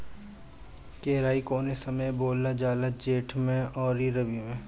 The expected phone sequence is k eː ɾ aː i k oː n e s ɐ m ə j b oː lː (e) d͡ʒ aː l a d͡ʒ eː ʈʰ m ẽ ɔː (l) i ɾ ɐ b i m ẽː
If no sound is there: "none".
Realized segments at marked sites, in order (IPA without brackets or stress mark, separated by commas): a, ɾ